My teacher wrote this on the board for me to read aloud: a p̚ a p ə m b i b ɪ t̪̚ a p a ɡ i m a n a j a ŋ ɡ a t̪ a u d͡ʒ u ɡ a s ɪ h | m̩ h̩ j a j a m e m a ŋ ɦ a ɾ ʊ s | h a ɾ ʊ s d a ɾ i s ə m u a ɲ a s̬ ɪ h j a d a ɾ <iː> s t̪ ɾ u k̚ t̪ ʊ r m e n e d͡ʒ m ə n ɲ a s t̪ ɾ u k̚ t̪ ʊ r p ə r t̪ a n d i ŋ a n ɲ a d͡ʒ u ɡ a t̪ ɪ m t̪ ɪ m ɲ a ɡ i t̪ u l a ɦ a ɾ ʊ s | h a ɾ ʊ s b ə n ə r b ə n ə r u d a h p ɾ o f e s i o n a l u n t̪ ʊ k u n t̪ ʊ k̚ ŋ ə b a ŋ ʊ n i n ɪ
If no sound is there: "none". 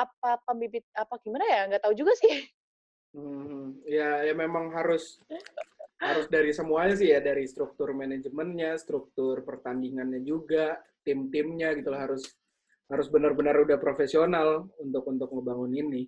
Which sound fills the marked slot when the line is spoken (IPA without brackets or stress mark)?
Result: i